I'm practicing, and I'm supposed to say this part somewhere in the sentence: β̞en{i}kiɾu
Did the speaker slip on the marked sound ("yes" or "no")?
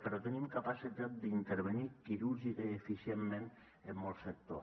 no